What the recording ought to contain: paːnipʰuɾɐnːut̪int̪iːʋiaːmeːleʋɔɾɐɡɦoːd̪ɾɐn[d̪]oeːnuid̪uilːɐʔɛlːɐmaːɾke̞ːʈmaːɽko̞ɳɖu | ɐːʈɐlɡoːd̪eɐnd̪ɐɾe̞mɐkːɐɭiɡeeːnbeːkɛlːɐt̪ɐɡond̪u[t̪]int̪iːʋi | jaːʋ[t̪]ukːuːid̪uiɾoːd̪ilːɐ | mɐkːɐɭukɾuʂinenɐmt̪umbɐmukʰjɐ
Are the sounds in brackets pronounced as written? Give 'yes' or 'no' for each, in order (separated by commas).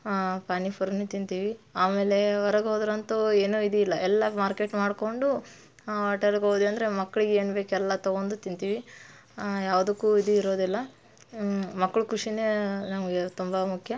no, yes, no